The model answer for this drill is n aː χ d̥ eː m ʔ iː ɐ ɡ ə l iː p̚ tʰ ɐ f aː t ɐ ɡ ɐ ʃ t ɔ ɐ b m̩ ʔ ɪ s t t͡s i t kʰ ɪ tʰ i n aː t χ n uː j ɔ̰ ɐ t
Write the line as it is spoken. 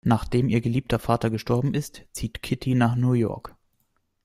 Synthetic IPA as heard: n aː χ d̥ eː m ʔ iː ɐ ɡ ə l iː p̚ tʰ ɐ f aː t ɐ ɡ ə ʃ t ɔ ɐ b m̩ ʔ ɪ s t t͡s iː t kʰ ɪ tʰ i n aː χ n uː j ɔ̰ ɐ k

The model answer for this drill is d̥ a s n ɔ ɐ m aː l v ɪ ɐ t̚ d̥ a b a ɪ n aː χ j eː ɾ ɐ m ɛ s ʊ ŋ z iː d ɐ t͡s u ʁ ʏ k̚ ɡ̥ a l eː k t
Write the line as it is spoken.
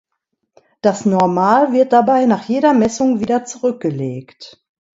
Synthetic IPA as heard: d̥ a s n ɔ ɐ m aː l v ɪ ɐ t̚ d̥ a b a ɪ n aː χ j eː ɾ ɐ m ɛ s ʊ ŋ v iː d ɐ t͡s u ʁ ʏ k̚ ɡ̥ ə l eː k t

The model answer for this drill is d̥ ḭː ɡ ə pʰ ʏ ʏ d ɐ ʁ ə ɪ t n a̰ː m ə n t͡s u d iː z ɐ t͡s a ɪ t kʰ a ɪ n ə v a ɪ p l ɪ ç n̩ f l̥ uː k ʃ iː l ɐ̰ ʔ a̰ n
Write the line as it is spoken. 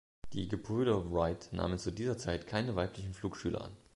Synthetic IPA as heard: d̥ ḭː ɡ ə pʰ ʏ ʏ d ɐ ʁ a ɪ t n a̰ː m ə n t͡s u d iː z ɐ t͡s a ɪ t kʰ a ɪ n ə v a ɪ p l ɪ ç n̩ f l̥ uː k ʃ yː l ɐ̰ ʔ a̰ n

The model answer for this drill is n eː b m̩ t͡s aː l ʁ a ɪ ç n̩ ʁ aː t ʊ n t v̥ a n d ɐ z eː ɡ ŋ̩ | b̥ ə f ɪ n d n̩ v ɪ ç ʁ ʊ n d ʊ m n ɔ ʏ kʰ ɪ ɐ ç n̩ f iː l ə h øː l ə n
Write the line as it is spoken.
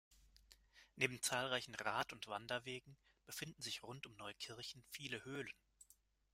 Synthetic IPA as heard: n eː b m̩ t͡s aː l ʁ a ɪ ç n̩ ʁ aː t ʊ n t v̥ a n d ɐ v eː ɡ ŋ̩ | b̥ ə f ɪ n d n̩ z ɪ ç ʁ ʊ n t ʊ m n ɔ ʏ kʰ ɪ ɐ ç n̩ f iː l ə h øː l ə n

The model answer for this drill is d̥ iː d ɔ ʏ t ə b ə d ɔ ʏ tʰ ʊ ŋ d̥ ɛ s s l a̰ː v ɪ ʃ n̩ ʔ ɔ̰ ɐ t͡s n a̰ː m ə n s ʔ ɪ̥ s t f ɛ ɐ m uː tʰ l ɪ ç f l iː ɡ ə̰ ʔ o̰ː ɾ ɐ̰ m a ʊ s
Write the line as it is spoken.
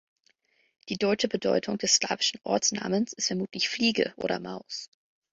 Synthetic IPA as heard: d̥ iː d ɔ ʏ t͡ʃ ə b ə d ɔ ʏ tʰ ʊ ŋ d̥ ɛ s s l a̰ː v ɪ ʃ n̩ ʔ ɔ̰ ɐ t͡s n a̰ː m ə n s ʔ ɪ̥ s t f ɛ ɐ m uː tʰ l ɪ ç f l iː ɡ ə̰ ʔ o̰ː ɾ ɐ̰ m a ʊ s

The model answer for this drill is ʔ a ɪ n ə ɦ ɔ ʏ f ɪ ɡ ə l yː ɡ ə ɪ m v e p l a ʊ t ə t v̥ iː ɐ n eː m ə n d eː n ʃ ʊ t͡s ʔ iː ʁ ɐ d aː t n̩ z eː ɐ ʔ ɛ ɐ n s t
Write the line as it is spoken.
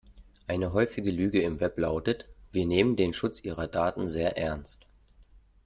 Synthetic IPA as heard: ʔ a ɪ n ə ɦ ɔ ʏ f ɪ ɡ ə l yː ɡ ə ɪ m v ɛ p l a ʊ t ə t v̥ iː ɐ n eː m ə n d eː n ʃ ʊ t͡s ʔ iː ʁ ɐ d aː t n̩ z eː ɐ ʔ ɛ ɐ n s t

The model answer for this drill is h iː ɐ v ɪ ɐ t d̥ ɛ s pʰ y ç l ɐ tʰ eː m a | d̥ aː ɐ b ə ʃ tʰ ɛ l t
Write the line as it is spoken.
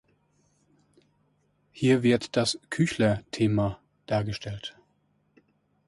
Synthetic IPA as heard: h iː ɐ v ɪ ɐ t d̥ a s kʰ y ç l ɐ tʰ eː m a | d̥ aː ɐ ɡ ə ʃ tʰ ɛ l t

